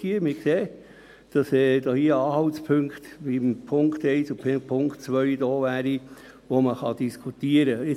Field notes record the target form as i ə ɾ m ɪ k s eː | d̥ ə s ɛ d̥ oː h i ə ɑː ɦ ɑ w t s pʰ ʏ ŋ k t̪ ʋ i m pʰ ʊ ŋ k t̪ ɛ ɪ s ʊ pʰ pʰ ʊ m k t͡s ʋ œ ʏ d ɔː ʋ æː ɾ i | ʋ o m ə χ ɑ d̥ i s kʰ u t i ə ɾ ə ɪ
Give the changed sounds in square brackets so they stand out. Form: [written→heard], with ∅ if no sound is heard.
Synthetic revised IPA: i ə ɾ m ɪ k s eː | d̥ [ə→ɑ] s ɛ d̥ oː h i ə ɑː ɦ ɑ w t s pʰ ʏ ŋ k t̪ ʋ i m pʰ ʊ ŋ k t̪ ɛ ɪ s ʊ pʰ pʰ ʊ [m→ŋ] k t͡s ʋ œ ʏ d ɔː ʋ æː ɾ i | ʋ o m ə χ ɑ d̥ i s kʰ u t i ə ɾ ə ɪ

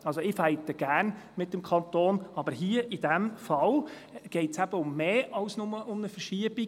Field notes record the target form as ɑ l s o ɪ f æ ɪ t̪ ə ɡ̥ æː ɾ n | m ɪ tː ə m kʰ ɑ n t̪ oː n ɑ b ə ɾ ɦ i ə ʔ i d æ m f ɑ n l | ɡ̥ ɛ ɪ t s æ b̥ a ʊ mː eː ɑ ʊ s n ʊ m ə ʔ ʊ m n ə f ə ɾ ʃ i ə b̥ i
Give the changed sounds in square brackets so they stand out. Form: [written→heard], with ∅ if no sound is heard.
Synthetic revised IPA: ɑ l s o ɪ f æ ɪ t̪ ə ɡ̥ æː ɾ n | m ɪ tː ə m kʰ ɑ n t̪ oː n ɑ b ə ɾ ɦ i ə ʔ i d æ m f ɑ [n→∅] l | ɡ̥ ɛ ɪ t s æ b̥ [a→ə] ʊ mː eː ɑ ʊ s n ʊ m ə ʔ ʊ m n ə f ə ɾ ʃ i ə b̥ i

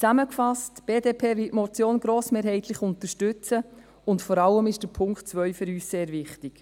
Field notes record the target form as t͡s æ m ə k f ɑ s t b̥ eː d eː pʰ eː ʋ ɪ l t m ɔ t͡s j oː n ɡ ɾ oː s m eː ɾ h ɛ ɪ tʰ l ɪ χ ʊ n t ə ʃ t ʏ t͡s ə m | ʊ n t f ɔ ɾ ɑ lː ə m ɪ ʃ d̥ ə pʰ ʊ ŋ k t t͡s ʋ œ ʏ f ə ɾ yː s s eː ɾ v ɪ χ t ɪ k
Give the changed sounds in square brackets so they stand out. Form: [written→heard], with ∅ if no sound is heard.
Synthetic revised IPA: t͡s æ m ə k f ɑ s t b̥ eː d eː pʰ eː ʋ ɪ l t m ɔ t͡s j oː n ɡ ɾ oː s m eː ɾ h ɛ ɪ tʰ l ɪ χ ʊ n t ə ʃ t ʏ t͡s ə [m→∅] | ʊ n t f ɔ ɾ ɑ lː ə m ɪ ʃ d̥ ə pʰ ʊ ŋ k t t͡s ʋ œ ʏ f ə ɾ yː s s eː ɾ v ɪ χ t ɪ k

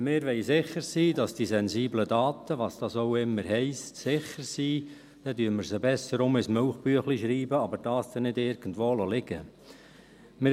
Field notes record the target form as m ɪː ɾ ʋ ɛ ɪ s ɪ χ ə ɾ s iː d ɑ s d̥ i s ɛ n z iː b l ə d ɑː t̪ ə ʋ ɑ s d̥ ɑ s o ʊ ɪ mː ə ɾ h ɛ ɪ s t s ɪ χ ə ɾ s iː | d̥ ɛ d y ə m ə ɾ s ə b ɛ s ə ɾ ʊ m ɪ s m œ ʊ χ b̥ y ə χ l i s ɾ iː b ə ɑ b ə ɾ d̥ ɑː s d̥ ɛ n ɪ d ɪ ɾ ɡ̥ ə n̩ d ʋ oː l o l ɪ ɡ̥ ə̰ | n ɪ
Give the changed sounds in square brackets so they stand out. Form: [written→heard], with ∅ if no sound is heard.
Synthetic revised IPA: m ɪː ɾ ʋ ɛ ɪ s ɪ χ ə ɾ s iː d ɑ s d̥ i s ɛ n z iː b l ə d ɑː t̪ ə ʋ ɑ s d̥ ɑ s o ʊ ɪ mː ə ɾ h ɛ ɪ s t s ɪ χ ə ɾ s iː | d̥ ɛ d y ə m ə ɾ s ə b ɛ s ə ɾ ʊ m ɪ s m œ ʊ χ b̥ y ə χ l i [s→ʃ] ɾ iː b ə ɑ b ə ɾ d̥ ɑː s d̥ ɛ n ɪ d ɪ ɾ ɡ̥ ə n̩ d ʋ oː l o l ɪ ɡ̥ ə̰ | [n→m] ɪ

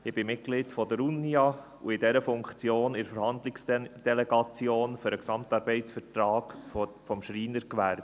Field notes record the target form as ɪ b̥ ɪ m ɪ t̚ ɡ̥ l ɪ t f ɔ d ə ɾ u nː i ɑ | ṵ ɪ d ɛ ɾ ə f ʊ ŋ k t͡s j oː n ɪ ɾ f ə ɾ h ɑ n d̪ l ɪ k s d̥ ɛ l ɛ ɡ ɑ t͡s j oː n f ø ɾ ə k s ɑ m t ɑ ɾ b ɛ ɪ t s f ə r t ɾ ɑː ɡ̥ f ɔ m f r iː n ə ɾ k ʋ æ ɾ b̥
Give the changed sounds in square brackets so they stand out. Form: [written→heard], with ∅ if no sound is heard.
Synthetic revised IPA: ɪ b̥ ɪ m ɪ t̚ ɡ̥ l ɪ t f ɔ d ə ɾ u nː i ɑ | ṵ ɪ d ɛ ɾ ə f ʊ ŋ k t͡s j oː n ɪ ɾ f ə ɾ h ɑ n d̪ l ɪ k s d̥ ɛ l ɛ ɡ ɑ t͡s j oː n f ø ɾ ə k s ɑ m t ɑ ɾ b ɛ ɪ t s f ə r t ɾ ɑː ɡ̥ f ɔ m [f→ʃ] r iː n ə ɾ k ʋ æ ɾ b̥

